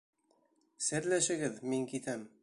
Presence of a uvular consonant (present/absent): absent